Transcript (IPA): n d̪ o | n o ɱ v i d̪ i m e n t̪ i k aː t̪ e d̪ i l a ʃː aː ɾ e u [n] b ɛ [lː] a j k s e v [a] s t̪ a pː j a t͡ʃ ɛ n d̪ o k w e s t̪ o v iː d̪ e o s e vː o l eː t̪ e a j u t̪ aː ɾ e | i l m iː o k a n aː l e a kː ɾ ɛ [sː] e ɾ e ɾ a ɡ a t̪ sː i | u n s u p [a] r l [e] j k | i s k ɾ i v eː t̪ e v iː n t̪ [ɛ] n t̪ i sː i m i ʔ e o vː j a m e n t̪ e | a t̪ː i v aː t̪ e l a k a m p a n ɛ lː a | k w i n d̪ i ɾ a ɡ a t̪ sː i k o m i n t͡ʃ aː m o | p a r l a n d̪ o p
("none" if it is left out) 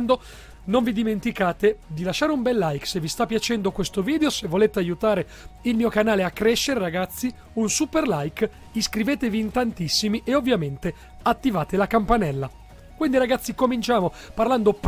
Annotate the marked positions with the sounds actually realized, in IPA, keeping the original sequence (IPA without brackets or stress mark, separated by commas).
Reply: m, lː, i, ʃː, e, a, a